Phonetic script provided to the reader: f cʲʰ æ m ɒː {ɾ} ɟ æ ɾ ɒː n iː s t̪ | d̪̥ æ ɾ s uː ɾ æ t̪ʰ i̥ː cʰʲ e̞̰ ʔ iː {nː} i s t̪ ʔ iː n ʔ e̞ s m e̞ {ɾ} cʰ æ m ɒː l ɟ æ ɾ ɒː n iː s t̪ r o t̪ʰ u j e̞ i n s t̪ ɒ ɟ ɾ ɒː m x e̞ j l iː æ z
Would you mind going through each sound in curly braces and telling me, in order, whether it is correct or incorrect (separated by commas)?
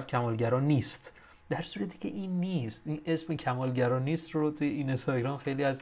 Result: incorrect, correct, incorrect